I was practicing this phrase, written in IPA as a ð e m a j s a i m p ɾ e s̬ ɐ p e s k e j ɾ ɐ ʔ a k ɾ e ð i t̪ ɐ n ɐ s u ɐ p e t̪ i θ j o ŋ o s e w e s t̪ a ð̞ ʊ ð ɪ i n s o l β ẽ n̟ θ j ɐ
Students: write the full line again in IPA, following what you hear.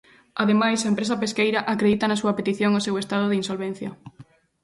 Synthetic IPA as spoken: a ð e m a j s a e m p ɾ e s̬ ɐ p e s k e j ɾ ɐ ʔ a k ɾ e ð i t̪ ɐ n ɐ s u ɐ p e t̪ i θ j o ŋ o s e w e s t̪ a ð̞ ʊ ð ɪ i n s o l β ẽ n̟ θ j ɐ